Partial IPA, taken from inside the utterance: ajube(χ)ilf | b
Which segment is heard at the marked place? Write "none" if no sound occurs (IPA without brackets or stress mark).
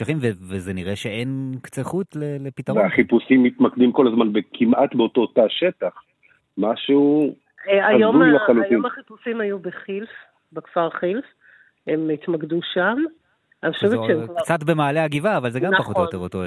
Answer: χ